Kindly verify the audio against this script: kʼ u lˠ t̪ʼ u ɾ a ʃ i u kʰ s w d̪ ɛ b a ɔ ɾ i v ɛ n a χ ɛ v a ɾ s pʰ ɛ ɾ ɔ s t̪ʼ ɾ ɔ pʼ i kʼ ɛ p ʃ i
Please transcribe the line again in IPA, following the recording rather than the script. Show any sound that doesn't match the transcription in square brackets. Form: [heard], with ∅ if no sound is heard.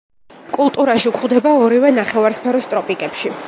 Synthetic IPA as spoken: kʼ u lˠ t̪ʼ u ɾ a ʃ i u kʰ [χ] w d̪ ɛ b a ɔ ɾ i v ɛ n a χ ɛ v a ɾ s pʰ ɛ ɾ ɔ s t̪ʼ ɾ ɔ pʼ i kʼ ɛ p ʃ i